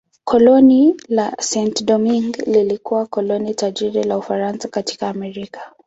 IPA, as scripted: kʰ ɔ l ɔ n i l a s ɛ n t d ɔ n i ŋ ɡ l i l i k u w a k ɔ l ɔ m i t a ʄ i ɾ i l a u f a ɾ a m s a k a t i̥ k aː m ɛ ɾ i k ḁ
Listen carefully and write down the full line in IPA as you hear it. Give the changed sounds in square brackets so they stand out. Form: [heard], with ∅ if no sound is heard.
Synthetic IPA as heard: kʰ ɔ l ɔ n i l a s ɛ n t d ɔ [m] i ŋ ɡ l i l i k u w a k ɔ l ɔ [n] i t a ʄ i ɾ i l a u f a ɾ a [n] s a k a t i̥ k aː m ɛ ɾ i k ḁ